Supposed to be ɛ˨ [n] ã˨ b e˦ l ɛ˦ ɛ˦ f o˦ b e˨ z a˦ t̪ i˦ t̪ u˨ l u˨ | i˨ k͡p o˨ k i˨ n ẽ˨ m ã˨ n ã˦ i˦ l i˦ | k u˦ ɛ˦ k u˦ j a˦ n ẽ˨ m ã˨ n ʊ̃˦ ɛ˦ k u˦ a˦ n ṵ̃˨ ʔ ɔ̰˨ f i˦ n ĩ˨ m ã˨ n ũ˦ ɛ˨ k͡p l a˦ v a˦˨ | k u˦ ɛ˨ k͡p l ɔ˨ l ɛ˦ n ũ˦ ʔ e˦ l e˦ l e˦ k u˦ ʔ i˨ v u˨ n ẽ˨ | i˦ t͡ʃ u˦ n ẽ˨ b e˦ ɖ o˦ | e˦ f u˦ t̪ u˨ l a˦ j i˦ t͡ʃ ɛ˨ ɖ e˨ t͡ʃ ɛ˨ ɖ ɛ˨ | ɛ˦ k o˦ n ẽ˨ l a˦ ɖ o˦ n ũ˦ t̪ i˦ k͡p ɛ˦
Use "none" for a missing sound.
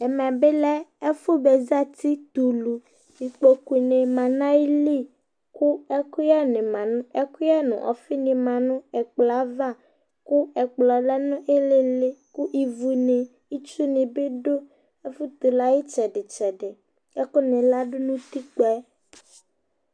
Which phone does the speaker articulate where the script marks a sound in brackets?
m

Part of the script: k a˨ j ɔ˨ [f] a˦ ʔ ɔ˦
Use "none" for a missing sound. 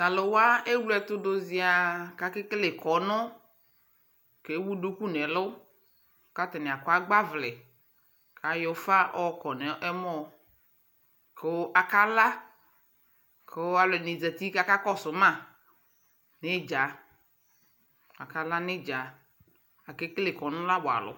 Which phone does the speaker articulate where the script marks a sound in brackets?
f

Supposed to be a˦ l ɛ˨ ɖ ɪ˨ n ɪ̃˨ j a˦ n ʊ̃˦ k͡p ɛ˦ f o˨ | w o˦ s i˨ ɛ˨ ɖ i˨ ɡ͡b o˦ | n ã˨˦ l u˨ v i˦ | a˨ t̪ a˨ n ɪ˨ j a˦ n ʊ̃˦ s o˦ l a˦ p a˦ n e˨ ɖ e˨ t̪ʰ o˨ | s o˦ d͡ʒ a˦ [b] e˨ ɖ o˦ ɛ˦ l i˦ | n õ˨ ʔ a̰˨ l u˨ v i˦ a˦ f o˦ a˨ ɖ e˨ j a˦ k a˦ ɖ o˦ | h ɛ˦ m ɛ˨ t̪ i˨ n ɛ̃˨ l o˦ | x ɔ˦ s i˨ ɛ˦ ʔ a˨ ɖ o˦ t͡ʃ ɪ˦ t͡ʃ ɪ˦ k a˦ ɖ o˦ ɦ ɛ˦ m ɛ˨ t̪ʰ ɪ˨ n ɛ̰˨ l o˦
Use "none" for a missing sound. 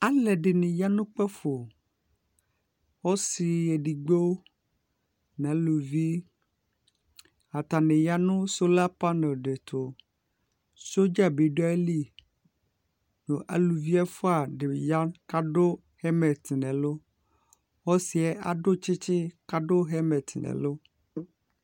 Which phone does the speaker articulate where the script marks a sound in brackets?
b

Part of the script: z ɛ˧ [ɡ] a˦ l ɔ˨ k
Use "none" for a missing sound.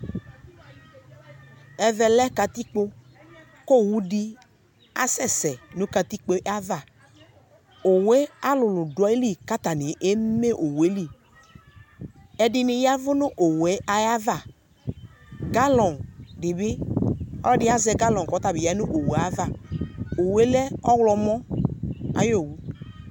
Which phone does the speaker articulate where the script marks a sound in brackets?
ɡ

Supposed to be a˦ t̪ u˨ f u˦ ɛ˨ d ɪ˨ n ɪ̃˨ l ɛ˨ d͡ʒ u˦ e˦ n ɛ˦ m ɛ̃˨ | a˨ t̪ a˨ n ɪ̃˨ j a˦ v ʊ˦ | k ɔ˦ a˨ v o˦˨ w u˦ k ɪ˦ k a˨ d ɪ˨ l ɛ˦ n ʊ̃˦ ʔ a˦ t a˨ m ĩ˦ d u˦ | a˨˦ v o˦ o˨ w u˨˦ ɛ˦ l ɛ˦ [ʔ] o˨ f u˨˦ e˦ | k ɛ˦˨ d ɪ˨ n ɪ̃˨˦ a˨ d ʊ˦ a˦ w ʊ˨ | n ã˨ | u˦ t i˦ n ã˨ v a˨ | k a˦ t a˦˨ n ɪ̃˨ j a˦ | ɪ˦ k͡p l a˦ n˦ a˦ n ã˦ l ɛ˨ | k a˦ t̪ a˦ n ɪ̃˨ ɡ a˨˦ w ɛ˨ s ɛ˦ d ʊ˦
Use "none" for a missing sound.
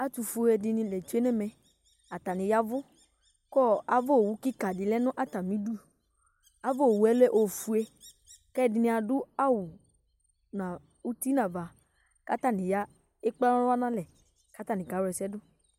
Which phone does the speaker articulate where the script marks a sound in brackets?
ʔ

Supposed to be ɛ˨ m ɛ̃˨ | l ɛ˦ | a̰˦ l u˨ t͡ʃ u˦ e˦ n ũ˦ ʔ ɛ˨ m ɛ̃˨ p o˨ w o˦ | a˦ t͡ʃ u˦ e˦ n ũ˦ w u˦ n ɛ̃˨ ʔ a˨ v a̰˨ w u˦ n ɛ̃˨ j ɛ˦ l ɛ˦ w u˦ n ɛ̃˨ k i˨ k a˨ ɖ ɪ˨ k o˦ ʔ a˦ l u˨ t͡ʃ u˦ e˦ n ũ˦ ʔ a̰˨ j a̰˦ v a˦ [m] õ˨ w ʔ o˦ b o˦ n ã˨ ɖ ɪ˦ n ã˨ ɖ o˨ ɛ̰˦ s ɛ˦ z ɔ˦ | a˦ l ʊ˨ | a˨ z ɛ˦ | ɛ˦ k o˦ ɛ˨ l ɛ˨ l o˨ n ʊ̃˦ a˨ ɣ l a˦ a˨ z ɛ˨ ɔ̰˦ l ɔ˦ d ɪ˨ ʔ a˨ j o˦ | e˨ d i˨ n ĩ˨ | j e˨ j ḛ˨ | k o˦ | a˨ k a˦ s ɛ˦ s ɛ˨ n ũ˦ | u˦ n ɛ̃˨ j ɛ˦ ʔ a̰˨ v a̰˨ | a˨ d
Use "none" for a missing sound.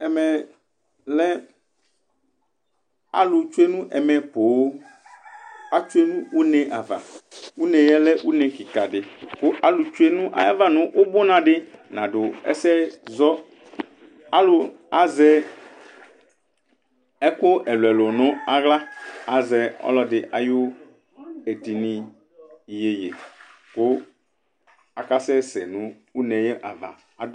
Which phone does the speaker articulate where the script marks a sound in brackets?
n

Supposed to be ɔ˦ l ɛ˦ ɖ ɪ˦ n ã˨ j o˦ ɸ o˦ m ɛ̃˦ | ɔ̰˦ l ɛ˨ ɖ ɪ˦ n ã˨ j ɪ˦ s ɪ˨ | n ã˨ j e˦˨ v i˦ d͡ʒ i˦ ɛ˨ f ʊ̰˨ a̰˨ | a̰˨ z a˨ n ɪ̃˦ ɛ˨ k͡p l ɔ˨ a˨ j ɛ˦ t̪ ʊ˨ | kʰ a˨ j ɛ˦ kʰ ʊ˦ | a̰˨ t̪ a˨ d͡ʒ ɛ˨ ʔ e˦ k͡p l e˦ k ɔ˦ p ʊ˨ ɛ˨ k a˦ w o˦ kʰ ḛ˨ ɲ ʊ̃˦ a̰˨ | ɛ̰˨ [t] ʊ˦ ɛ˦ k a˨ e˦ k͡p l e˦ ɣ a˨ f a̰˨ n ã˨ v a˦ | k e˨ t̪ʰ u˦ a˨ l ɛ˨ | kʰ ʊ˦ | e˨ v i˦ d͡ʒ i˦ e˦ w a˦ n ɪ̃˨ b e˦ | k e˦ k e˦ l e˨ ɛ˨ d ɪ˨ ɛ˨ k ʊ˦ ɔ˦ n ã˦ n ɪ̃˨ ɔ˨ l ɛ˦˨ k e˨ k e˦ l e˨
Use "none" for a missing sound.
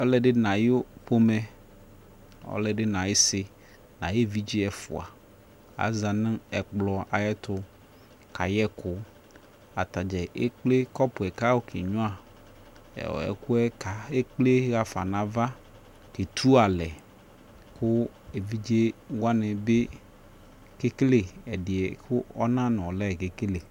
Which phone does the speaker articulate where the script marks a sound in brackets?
k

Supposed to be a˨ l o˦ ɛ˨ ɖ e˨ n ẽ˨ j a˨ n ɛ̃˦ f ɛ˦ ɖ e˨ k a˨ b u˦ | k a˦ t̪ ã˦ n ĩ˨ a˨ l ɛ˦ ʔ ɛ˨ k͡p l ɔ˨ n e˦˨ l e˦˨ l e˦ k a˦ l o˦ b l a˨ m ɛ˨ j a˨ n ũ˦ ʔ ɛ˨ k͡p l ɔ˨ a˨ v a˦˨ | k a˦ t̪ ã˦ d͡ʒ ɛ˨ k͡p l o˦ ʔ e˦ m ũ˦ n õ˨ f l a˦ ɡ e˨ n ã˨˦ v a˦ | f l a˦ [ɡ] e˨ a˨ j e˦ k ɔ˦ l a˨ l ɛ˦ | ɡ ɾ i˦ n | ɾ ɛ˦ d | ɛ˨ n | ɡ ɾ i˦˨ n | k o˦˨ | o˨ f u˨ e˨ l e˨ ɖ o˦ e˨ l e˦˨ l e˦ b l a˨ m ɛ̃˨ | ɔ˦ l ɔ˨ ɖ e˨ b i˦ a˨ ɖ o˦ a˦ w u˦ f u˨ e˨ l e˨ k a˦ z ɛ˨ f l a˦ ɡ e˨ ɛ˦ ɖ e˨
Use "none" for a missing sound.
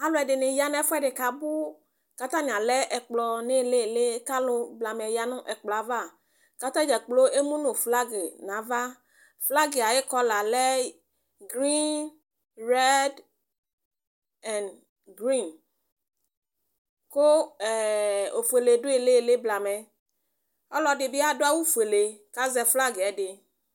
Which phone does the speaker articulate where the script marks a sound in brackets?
ɡ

